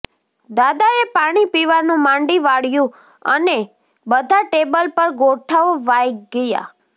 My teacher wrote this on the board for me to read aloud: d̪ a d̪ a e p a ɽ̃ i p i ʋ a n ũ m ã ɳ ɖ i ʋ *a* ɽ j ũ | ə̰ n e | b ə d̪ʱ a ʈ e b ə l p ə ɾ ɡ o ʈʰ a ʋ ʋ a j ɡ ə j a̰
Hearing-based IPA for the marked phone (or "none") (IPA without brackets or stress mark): a